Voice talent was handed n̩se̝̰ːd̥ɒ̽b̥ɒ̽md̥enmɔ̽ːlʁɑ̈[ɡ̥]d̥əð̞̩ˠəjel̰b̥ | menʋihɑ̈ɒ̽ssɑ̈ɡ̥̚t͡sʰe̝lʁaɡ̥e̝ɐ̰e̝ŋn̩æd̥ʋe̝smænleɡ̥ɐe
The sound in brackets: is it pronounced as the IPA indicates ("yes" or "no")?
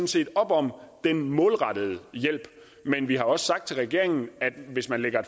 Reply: no